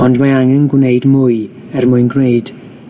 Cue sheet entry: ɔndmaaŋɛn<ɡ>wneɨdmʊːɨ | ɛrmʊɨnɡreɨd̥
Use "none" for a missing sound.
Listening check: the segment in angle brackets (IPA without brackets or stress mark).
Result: ɡ